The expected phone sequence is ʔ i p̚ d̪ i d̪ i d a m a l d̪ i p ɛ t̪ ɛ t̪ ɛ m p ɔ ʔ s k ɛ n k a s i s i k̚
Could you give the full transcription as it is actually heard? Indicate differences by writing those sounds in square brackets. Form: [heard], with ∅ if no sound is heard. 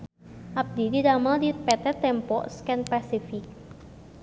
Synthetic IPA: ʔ [a] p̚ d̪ i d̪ i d a m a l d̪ i p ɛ t̪ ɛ t̪ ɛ m p ɔ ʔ s k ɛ n [p] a s i [f] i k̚